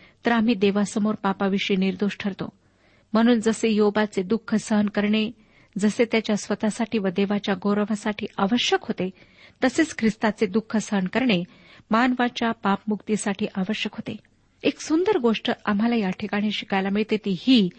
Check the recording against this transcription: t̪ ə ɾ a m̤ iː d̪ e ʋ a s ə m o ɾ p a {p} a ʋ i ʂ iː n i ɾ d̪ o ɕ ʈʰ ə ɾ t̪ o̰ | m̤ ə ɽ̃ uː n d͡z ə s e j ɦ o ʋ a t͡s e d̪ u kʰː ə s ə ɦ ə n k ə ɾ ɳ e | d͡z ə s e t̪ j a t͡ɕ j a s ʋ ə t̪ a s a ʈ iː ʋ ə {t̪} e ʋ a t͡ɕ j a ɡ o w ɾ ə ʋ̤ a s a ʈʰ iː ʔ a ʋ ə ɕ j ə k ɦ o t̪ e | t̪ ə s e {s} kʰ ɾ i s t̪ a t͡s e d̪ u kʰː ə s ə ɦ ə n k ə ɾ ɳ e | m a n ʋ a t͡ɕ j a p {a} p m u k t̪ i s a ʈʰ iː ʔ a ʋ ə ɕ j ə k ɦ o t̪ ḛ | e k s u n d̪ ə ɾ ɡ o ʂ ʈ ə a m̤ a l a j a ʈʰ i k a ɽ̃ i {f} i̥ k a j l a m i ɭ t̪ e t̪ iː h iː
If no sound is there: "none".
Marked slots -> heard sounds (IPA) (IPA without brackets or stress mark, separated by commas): p, d̪, t͡s, a, ɕ